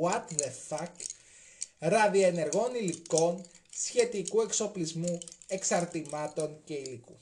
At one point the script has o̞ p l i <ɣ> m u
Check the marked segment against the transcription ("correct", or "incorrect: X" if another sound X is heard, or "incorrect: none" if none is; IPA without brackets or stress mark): incorrect: z